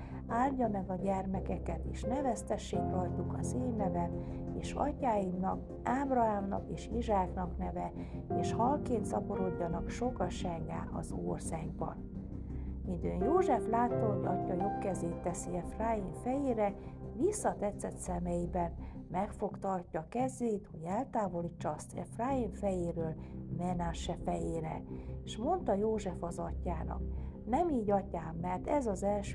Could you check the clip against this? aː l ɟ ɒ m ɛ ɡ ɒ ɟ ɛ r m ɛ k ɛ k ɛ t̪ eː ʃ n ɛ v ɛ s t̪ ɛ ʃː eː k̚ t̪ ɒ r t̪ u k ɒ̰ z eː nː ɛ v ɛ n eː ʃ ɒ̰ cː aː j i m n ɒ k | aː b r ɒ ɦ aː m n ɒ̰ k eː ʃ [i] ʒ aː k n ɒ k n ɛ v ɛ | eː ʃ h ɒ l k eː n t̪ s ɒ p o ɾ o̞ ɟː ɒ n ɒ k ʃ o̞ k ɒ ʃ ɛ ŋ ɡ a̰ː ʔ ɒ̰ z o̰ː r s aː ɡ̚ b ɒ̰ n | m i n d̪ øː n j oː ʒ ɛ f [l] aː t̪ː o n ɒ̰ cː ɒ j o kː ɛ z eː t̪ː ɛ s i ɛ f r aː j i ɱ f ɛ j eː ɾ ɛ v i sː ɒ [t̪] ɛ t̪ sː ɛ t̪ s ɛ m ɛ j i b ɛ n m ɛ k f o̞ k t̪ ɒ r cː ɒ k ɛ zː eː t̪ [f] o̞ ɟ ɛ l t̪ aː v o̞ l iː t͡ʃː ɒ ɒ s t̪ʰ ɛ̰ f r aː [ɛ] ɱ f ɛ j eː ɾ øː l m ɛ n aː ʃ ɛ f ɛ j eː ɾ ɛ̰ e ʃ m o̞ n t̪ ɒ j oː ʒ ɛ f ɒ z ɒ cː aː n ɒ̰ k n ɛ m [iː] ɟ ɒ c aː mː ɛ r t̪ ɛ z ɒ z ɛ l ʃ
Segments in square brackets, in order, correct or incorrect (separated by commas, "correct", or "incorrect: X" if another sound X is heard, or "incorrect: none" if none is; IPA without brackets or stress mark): correct, correct, correct, incorrect: h, incorrect: i, correct